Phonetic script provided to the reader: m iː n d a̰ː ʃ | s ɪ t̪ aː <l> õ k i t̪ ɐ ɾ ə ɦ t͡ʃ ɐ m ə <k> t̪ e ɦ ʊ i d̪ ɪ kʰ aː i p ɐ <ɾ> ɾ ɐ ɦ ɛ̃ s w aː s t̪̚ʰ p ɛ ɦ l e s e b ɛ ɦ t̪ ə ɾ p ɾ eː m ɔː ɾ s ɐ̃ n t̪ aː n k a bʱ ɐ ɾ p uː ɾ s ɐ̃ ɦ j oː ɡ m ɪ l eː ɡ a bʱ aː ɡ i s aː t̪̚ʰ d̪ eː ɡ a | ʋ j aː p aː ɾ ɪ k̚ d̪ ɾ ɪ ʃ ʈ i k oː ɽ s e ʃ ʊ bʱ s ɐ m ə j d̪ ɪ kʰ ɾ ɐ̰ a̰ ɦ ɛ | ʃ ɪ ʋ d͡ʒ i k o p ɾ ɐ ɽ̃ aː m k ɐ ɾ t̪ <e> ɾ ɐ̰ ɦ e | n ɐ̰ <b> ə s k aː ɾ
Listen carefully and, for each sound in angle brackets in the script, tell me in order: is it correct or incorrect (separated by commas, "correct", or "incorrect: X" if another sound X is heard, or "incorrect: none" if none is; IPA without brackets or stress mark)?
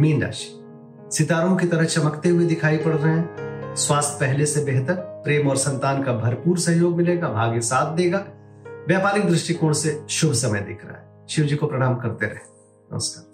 incorrect: ɾ, correct, incorrect: ɽ, correct, incorrect: m